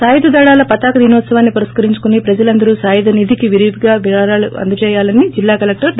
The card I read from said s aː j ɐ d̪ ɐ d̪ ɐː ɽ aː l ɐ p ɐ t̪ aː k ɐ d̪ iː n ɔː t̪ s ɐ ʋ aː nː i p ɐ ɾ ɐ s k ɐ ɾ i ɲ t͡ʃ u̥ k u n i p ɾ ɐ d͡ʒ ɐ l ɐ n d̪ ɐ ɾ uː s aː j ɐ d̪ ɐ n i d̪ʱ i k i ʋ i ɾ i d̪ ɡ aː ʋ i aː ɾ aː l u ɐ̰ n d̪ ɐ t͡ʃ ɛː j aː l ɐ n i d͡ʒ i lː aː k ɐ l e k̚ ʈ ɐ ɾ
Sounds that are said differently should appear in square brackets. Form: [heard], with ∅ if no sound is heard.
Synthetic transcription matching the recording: s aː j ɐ d̪ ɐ d̪ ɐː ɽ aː l ɐ p ɐ t̪ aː k ɐ d̪ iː n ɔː t̪ s ɐ ʋ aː nː i p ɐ ɾ ɐ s k ɐ ɾ i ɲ t͡ʃ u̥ k u n i p ɾ ɐ d͡ʒ ɐ l ɐ n d̪ ɐ ɾ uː s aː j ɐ d̪ ɐ n i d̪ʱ i k i ʋ i ɾ i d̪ ɡ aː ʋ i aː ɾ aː l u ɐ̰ n d̪ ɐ t͡ʃ ɛː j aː l ɐ n i d͡ʒ i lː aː k ɐ l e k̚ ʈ ɐ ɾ